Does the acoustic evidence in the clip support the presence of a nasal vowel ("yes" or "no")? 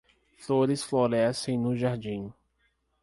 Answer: yes